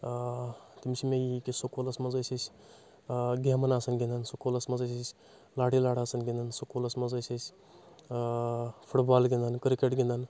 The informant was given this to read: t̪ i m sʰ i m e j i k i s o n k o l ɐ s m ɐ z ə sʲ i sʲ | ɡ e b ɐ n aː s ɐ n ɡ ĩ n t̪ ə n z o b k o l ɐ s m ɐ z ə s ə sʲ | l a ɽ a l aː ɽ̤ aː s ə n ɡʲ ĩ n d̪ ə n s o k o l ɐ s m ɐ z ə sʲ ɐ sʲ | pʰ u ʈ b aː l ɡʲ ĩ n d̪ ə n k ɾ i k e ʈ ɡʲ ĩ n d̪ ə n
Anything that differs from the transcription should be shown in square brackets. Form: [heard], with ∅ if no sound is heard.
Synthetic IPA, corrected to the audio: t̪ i m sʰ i m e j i k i s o [∅] k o l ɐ s m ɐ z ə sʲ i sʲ | ɡ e [m] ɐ n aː s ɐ n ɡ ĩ n [d̪] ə n [s] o [∅] k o l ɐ s m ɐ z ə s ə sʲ | l a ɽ [i] l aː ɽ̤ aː s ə n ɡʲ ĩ n d̪ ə n s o k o l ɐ s m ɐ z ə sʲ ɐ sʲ | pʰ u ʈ b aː l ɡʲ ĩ n d̪ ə n k ɾ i k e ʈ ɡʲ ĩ n d̪ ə n